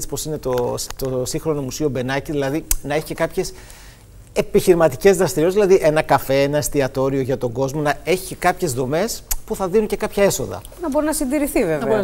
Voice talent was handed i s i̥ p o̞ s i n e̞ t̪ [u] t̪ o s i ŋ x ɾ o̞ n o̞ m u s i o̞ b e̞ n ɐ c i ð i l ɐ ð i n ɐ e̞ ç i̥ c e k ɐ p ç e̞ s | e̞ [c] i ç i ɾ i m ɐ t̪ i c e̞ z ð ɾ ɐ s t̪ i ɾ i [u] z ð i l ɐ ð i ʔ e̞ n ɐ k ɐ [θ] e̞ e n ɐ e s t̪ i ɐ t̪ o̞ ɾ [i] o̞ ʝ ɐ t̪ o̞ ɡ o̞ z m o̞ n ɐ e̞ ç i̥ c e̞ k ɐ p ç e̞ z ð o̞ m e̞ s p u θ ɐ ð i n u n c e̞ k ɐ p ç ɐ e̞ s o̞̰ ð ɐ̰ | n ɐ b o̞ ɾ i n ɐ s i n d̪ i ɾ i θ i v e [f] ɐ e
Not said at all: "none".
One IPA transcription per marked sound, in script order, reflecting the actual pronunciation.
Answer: o, p, o, f, i, v

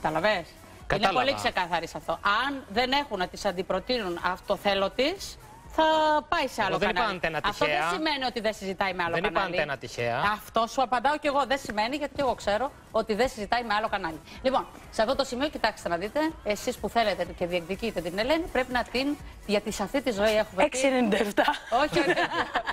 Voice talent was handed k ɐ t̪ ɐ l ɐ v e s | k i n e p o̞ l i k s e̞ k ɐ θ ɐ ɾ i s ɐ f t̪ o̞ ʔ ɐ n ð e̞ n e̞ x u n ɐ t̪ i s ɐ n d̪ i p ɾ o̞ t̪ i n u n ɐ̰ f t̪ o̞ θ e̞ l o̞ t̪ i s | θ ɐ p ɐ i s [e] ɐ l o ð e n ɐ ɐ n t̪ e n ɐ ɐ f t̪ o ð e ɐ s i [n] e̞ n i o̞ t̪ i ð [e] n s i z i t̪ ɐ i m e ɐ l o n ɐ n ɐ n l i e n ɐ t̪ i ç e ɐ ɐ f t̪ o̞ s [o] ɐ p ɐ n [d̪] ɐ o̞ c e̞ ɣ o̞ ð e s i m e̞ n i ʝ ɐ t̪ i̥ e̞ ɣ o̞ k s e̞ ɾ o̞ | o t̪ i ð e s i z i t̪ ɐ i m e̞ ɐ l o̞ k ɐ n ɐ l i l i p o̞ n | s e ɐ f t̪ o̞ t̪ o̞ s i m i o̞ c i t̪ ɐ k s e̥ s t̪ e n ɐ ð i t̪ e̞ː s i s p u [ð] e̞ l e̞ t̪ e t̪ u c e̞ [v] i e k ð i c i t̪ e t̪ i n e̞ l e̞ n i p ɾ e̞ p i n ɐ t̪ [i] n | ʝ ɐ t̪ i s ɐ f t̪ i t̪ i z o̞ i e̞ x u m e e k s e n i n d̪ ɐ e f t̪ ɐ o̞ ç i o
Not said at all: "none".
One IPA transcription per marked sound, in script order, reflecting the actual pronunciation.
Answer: e, m, e, u, d̪, θ, ð, i

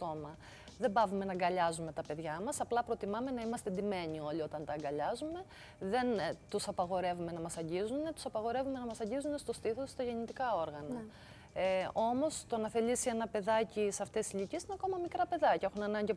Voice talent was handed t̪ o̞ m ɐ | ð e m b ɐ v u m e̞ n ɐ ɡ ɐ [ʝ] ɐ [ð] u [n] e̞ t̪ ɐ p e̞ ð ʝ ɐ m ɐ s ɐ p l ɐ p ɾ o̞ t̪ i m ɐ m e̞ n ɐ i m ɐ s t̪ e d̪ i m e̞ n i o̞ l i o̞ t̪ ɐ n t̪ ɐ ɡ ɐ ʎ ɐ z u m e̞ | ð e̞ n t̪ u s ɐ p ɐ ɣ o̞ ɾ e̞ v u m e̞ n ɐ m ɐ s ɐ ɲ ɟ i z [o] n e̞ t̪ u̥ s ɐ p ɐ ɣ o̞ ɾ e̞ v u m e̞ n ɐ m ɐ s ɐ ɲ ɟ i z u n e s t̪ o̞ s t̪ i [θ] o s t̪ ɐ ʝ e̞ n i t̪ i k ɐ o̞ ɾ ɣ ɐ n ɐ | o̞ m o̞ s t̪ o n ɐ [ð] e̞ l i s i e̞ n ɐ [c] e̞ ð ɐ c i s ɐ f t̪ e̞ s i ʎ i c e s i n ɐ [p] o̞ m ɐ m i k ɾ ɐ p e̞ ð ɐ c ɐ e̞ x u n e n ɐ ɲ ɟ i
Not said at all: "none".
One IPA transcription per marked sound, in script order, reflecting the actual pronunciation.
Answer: ʎ, z, m, u, θ, θ, p, k

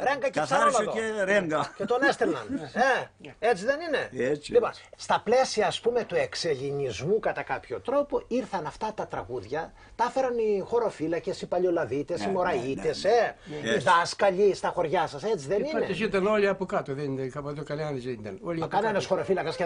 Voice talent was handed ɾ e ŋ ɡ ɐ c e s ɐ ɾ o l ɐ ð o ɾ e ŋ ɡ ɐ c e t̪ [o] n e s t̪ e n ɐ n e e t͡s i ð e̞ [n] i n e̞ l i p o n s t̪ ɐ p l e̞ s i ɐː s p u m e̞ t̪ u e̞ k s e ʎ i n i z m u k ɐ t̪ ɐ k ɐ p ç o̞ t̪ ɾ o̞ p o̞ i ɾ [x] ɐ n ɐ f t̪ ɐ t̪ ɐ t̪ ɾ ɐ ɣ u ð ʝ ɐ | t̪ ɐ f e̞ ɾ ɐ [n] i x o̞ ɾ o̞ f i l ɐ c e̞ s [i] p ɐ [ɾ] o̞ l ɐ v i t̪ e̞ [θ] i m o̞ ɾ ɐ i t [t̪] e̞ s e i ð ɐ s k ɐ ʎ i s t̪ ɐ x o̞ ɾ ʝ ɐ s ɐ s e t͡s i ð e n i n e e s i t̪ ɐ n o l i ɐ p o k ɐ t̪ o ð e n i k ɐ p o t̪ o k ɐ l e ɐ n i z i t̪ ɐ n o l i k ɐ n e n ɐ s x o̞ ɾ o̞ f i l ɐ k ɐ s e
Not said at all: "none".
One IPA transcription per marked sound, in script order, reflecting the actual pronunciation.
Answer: o, n, θ, n, i, ʎ, s, t̪

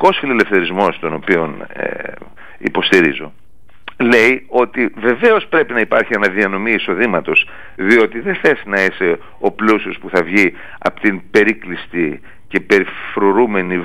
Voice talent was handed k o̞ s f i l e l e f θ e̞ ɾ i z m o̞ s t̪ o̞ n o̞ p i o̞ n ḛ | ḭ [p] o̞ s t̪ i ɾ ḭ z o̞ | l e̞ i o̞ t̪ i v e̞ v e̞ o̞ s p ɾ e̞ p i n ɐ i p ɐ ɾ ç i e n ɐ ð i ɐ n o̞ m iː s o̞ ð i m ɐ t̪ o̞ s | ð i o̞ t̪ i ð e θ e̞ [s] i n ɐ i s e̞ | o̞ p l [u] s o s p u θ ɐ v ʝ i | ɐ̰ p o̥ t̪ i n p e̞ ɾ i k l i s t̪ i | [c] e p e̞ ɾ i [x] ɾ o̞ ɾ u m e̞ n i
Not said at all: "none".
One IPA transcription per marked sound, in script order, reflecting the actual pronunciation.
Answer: p, s, u, c, f

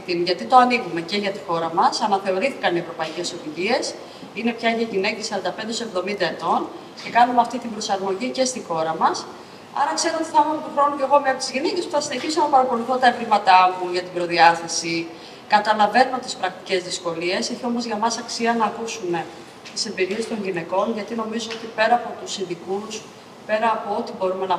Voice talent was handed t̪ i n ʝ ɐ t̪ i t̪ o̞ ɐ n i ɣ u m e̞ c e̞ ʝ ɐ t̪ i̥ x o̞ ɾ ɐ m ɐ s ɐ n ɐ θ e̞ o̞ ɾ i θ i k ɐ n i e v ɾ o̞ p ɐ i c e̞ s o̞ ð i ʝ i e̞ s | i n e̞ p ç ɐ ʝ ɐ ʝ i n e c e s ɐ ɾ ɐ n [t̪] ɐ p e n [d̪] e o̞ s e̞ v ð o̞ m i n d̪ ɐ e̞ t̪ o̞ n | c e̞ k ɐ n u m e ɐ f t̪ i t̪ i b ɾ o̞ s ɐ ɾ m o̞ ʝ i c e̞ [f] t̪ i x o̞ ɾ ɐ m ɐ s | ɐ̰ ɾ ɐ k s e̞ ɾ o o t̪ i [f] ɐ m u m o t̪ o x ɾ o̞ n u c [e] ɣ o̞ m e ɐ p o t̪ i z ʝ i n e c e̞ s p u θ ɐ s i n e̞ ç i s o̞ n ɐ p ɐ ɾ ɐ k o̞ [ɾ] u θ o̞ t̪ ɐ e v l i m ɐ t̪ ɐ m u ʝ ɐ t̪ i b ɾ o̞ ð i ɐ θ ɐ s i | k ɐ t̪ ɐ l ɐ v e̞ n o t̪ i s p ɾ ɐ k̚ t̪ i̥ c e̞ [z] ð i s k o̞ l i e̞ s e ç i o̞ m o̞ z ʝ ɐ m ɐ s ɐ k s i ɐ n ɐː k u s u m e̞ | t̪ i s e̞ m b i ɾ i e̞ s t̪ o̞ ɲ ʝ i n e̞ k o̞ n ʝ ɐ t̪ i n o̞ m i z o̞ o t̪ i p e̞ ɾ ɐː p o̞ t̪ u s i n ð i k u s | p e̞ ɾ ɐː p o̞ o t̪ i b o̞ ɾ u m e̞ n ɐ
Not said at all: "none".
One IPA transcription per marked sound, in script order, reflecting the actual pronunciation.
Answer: d̪, d̪, s, θ, e, l, z

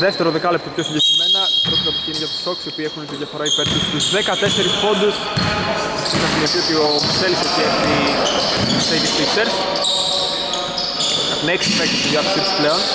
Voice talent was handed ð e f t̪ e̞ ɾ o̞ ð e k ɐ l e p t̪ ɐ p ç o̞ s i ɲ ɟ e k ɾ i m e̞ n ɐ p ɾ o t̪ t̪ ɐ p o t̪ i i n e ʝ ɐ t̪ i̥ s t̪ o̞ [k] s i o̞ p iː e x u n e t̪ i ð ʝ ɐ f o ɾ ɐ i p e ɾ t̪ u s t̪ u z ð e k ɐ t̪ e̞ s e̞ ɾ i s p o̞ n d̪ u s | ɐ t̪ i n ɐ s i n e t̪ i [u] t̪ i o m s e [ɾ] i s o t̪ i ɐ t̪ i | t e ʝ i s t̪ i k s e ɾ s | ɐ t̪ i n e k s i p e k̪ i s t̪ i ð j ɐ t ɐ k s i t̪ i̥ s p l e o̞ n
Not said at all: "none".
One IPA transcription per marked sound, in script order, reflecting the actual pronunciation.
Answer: k, o, l

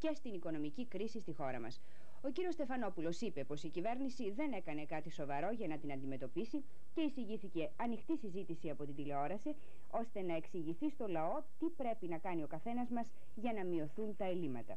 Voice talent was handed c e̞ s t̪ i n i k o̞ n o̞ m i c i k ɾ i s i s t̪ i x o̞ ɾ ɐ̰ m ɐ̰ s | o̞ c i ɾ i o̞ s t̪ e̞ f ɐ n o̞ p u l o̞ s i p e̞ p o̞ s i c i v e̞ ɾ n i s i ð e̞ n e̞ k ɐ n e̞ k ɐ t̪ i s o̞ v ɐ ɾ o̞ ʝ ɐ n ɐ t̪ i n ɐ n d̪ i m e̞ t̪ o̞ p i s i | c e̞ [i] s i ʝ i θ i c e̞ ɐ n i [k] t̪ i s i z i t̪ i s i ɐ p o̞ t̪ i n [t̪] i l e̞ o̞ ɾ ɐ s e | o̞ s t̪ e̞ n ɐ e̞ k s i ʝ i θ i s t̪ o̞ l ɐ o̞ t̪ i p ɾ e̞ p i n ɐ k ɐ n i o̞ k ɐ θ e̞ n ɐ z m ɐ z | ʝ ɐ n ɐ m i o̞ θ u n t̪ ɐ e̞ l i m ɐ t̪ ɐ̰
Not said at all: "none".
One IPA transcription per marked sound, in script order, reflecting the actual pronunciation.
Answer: i, x, d̪

